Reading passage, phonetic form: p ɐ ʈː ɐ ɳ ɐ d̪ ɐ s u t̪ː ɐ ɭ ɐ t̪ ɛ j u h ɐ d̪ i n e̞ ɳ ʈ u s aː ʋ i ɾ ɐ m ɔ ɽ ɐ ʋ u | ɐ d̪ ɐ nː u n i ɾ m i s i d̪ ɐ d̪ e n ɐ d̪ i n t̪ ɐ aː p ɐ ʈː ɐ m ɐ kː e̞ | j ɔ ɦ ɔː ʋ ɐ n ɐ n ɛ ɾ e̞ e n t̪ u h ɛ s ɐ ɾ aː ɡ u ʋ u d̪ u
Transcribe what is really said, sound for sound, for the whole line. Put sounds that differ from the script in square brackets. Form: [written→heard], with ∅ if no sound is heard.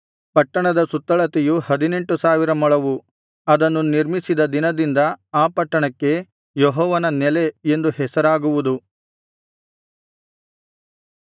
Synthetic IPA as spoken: p ɐ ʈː ɐ ɳ ɐ d̪ ɐ s u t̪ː ɐ ɭ ɐ t̪ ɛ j u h ɐ d̪ i n e̞ ɳ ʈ u s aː ʋ i ɾ ɐ m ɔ [ɽ→ɭ] ɐ ʋ u | ɐ d̪ ɐ nː u n i ɾ m i s i d̪ ɐ d̪ [e→i] n ɐ d̪ i n [t̪→d̪] ɐ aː p ɐ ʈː ɐ [m→ɳ] ɐ kː e̞ | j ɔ ɦ ɔː ʋ ɐ n ɐ n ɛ [ɾ→l] e̞ e n [t̪→d̪] u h ɛ s ɐ ɾ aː ɡ u ʋ u d̪ u